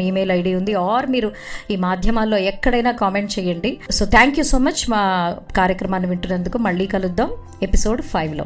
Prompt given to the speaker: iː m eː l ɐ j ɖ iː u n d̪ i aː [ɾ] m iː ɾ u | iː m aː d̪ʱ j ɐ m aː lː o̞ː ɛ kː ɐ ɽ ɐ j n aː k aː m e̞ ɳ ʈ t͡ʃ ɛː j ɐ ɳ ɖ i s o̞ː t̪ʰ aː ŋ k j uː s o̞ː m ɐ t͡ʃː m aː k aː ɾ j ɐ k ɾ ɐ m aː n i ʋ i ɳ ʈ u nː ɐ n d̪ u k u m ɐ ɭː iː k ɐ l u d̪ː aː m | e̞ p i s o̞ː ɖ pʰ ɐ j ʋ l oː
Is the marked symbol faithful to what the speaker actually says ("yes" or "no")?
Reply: yes